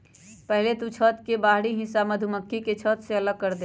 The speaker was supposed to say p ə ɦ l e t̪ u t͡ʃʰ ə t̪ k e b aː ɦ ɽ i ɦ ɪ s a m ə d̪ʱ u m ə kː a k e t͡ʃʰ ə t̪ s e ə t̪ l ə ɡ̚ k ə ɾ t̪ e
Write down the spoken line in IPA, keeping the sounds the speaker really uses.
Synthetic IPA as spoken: p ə ɦ l e t̪ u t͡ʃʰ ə t̪ k e b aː ɦ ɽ i ɦ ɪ s a m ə d̪ʱ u m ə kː i k e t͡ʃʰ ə t̪ s e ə l ə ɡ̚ k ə ɾ d̪ e